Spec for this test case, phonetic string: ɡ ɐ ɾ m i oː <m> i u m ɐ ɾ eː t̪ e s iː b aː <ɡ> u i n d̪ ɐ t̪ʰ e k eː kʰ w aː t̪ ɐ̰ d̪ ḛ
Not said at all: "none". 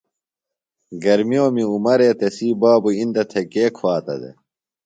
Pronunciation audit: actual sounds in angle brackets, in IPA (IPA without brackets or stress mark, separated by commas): m, b